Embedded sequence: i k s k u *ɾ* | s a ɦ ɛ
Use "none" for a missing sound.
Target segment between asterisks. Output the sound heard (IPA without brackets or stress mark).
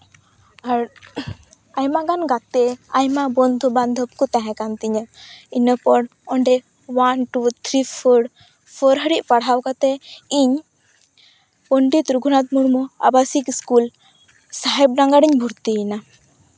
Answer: l